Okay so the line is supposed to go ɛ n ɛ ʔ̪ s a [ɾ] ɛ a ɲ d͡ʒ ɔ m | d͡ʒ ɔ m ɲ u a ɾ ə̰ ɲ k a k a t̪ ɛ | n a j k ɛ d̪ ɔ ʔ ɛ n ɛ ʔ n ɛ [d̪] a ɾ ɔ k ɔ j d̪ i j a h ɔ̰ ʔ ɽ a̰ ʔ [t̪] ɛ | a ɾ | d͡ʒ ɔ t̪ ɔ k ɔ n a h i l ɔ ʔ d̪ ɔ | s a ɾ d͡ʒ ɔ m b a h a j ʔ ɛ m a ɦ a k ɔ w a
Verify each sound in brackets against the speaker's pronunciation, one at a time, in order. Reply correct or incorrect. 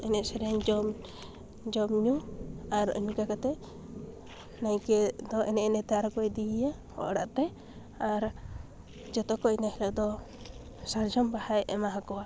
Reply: correct, incorrect, correct

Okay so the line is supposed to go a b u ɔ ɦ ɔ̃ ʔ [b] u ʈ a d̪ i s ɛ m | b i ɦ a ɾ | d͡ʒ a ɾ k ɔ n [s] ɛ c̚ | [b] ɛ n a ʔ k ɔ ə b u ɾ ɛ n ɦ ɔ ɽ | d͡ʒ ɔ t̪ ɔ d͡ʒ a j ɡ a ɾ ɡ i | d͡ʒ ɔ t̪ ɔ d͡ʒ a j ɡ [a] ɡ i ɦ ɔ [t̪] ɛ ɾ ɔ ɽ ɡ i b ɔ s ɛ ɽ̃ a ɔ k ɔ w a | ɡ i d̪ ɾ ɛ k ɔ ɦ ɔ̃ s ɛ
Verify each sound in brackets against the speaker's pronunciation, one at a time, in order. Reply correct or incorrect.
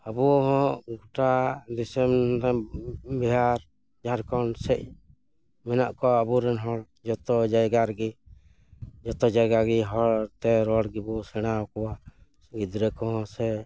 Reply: incorrect, correct, incorrect, correct, correct

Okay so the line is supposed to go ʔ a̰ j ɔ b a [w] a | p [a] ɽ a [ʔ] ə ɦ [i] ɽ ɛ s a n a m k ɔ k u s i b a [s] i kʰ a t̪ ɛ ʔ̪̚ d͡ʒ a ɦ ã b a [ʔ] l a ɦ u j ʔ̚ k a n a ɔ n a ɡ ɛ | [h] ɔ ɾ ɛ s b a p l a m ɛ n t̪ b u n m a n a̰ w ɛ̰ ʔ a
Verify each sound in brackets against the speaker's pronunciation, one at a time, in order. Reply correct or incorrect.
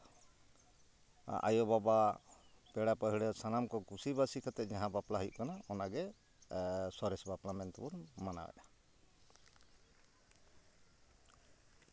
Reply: incorrect, incorrect, incorrect, correct, correct, incorrect, incorrect

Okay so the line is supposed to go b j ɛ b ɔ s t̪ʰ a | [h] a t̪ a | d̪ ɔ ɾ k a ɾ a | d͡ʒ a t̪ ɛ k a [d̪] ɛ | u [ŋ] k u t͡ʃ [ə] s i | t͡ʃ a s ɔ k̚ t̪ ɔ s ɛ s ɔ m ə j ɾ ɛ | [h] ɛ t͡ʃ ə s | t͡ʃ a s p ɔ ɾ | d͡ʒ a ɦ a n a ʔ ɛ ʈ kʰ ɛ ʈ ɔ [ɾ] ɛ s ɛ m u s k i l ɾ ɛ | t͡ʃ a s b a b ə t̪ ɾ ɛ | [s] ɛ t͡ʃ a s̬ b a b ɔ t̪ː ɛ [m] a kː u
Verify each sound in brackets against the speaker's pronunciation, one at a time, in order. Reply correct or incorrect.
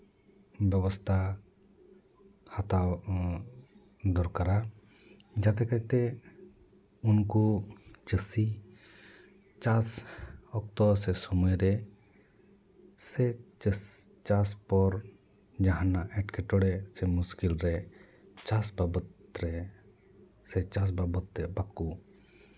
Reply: correct, incorrect, incorrect, correct, incorrect, incorrect, correct, incorrect

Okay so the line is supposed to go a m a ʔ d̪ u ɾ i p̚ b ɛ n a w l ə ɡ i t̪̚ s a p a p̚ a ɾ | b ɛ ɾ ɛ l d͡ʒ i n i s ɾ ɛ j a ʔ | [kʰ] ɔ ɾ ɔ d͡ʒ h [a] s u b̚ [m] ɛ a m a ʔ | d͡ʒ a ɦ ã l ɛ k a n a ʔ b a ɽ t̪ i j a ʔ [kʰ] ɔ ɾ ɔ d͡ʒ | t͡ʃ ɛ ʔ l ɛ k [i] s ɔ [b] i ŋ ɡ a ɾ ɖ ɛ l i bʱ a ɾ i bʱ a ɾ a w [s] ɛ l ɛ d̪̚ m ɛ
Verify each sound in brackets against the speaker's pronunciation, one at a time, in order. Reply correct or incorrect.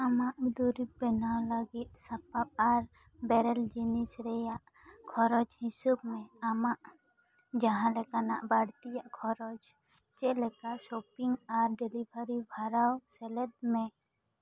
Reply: correct, incorrect, correct, correct, incorrect, incorrect, correct

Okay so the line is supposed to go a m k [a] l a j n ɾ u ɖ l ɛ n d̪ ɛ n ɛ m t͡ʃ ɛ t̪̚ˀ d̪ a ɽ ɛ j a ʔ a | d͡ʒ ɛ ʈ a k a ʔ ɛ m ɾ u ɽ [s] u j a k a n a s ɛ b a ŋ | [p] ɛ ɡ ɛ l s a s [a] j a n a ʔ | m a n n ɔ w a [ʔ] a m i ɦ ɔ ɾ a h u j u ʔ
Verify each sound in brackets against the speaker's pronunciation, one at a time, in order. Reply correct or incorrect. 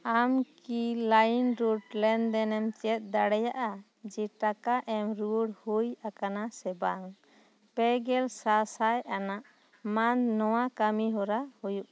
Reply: incorrect, incorrect, correct, correct, incorrect

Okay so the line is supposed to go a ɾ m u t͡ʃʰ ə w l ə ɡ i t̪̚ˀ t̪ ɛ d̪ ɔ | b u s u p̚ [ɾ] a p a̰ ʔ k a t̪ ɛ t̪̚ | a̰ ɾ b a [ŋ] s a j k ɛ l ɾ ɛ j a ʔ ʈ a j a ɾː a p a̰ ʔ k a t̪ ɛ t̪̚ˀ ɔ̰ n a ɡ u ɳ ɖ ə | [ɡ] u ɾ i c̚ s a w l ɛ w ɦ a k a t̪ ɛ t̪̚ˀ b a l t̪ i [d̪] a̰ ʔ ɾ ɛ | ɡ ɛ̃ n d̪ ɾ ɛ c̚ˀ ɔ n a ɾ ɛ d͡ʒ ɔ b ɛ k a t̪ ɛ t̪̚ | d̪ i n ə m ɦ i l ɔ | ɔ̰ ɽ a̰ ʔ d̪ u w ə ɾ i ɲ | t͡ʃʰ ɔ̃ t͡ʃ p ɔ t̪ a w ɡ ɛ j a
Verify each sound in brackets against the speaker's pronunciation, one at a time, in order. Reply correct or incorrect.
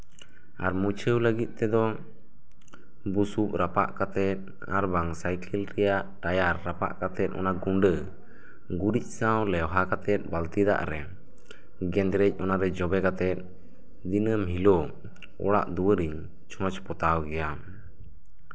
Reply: correct, correct, correct, correct

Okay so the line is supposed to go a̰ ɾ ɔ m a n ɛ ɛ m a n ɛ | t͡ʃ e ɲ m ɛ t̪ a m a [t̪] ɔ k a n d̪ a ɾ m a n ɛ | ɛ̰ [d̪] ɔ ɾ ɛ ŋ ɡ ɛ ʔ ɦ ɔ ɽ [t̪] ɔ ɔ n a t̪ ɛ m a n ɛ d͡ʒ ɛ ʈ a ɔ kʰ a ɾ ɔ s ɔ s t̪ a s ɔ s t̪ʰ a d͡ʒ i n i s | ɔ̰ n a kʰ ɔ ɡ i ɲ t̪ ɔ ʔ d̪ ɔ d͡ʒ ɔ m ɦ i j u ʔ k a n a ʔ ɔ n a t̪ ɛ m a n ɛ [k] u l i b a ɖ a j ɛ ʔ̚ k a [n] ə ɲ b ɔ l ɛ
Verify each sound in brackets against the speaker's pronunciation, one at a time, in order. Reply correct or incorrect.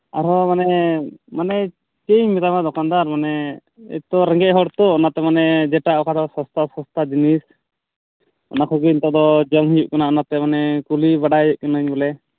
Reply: incorrect, incorrect, correct, correct, correct

